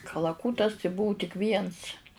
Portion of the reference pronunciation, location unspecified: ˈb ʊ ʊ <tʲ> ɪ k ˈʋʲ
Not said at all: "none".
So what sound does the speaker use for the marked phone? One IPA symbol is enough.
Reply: tʲ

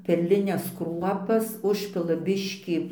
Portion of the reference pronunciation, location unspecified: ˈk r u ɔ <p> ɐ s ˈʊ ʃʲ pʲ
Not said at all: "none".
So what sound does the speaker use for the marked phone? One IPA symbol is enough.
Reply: p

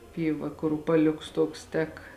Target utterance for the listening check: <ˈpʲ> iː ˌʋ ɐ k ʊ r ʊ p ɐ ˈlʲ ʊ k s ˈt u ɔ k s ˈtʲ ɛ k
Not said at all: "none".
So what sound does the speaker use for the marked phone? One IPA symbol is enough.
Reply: pʲ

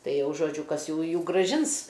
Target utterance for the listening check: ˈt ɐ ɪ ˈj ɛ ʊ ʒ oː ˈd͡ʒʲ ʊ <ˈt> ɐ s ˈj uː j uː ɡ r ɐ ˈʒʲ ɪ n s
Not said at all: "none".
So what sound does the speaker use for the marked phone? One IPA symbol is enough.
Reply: k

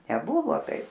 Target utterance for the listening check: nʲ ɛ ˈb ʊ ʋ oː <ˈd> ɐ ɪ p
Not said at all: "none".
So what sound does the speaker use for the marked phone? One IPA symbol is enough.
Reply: t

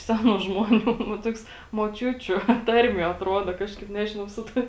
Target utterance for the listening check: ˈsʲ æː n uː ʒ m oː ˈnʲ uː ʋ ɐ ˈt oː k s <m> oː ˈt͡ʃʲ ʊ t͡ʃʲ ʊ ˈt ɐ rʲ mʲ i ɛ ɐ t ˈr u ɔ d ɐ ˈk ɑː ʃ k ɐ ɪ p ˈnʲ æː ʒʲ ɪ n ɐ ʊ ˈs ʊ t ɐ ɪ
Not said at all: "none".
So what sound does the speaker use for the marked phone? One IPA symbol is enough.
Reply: m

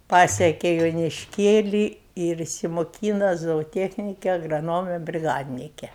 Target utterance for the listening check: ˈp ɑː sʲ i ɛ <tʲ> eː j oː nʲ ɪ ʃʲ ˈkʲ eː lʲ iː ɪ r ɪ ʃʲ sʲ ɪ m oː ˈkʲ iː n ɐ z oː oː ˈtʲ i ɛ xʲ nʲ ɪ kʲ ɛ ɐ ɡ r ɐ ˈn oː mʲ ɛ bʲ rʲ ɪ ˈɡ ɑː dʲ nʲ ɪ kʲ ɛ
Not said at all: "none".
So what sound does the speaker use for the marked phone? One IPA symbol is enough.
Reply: kʲ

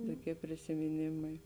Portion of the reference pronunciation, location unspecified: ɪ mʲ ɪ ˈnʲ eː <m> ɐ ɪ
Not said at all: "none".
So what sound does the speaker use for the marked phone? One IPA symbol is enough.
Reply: m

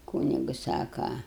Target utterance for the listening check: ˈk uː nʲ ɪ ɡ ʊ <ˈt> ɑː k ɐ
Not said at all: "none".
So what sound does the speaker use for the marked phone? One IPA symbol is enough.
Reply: s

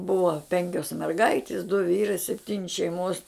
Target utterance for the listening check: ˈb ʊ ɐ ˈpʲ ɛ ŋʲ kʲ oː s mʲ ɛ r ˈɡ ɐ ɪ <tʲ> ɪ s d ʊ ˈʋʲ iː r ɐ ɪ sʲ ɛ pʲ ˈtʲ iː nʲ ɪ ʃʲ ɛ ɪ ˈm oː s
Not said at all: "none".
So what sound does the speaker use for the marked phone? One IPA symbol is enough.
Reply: tʲ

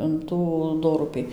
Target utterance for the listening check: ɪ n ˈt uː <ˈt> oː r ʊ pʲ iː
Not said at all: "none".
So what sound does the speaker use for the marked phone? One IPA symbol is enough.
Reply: d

